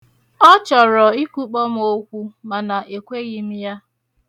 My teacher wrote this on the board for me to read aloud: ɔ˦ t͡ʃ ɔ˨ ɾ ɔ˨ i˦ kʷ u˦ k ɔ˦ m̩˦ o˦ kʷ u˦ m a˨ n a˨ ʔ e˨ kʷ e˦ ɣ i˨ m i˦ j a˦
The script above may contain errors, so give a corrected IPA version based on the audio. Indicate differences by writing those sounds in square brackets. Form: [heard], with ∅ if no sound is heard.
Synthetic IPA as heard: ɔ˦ t͡ʃ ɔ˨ ɾ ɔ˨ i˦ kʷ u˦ [k͡p] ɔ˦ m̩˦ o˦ kʷ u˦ m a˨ n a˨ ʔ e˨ kʷ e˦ ɣ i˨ m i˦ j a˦